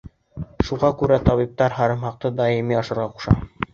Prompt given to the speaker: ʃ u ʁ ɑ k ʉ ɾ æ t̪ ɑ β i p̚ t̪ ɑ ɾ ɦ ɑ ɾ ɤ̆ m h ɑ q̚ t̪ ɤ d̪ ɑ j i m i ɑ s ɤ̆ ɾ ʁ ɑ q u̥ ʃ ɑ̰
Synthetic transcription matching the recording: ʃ u ʁ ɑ k ʉ ɾ æ t̪ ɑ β i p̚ t̪ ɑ ɾ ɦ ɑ ɾ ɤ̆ m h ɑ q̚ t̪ ɤ d̪ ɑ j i m i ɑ ʃ ɤ̆ ɾ ʁ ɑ q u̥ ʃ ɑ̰